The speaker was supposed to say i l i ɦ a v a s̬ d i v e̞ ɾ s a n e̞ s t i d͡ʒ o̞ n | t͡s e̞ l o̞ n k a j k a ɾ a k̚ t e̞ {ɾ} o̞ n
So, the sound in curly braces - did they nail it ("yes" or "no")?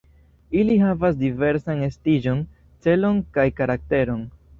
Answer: yes